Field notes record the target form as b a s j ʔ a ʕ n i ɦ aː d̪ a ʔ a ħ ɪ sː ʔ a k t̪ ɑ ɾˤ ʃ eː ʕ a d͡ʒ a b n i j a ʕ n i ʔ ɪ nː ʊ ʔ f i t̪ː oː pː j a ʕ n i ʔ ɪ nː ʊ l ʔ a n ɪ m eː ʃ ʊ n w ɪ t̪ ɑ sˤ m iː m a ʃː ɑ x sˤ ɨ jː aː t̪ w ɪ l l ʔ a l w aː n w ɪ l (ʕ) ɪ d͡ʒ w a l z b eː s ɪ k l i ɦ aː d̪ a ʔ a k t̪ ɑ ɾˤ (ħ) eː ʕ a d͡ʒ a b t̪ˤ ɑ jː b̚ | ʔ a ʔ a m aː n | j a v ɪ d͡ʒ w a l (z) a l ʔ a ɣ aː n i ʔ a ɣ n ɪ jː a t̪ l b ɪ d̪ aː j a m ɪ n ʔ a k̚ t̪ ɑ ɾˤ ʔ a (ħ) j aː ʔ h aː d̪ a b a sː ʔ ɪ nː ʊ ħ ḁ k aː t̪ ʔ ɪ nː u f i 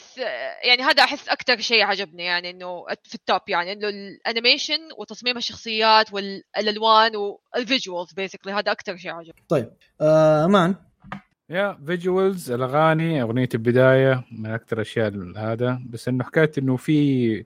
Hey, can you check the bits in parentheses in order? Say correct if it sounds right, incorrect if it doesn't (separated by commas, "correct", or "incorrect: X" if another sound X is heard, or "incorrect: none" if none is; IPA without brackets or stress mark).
incorrect: v, incorrect: ʃ, correct, incorrect: ʃ